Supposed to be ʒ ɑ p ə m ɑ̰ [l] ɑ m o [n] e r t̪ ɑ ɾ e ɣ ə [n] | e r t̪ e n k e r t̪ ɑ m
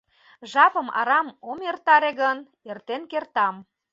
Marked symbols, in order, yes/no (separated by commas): no, no, yes